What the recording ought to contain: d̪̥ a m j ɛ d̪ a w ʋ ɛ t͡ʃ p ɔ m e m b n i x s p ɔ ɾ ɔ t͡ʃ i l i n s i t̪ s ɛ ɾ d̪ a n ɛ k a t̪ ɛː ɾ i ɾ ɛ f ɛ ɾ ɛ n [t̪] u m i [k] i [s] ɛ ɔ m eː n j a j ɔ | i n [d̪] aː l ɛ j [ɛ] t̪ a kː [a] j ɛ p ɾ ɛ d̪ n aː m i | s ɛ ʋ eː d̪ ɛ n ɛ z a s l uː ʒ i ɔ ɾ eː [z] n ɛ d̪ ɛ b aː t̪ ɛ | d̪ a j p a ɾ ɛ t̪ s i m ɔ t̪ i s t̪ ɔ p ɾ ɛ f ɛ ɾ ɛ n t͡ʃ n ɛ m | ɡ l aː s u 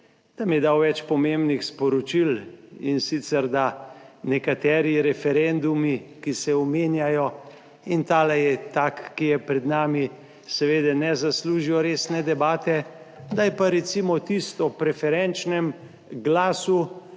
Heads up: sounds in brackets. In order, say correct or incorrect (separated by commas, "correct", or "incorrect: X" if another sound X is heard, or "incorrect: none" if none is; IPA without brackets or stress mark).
incorrect: d̪, correct, correct, incorrect: t̪, correct, incorrect: i, incorrect: s